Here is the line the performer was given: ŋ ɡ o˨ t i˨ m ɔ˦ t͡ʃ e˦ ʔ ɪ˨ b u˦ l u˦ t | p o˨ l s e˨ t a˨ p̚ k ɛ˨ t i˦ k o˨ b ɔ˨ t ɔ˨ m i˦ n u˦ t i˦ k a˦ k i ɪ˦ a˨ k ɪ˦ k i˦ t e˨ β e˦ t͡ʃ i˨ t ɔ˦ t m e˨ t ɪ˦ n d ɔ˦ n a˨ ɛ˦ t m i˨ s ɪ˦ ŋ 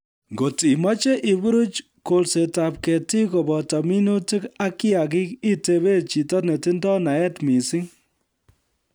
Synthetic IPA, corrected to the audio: ŋ ɡ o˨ t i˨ m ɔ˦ t͡ʃ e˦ ʔ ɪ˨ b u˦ ɾ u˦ t͡ʃ | k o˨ l s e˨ t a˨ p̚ k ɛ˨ t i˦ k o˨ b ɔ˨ t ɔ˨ m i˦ n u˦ t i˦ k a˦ k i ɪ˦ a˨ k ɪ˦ k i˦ t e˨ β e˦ t͡ʃ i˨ t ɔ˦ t n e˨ t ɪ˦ n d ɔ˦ n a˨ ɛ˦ t m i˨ s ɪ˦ ŋ